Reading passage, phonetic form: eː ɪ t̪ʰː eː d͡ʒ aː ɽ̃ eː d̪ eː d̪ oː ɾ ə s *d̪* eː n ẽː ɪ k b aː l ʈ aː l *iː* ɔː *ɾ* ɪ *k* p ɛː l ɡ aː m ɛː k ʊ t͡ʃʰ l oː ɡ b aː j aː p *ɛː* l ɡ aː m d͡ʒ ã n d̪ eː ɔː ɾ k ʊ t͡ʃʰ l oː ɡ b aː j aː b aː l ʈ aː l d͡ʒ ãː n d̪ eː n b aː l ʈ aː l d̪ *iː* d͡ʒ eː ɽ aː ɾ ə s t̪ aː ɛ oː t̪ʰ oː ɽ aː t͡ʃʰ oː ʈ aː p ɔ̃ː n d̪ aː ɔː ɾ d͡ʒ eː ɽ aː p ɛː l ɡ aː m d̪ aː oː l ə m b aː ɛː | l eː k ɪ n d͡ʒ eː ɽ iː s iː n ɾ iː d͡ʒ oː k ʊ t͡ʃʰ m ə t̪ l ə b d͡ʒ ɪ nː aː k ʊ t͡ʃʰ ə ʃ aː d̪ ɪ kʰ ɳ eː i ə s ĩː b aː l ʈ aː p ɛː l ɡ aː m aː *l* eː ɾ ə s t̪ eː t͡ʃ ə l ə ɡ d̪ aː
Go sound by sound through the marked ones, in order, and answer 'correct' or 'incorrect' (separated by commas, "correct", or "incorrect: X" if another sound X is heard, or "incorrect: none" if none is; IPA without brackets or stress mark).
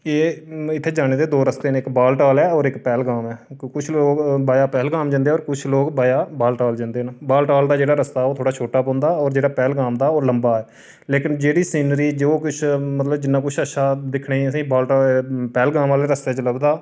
incorrect: t̪, incorrect: ɛː, correct, correct, correct, incorrect: aː, correct